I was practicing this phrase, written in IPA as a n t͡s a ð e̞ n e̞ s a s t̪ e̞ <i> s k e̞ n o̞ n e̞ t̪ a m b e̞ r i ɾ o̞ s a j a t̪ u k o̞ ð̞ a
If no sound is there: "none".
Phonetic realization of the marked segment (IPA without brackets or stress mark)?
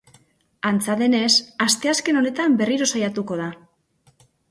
a